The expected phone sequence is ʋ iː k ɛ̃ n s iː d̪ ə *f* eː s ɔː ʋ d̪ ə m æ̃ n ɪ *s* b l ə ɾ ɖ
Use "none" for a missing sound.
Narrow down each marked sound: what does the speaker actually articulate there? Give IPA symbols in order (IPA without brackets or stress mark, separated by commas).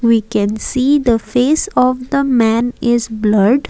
f, z